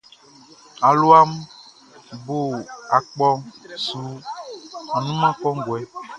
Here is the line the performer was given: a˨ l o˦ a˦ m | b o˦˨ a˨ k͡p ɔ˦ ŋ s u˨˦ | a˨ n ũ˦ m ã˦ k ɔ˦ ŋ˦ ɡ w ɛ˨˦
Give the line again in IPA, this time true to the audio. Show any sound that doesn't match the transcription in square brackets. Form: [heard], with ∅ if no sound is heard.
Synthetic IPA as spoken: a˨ l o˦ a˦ m | b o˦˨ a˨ k͡p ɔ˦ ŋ s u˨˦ | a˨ n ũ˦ m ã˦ k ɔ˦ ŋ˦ ɡ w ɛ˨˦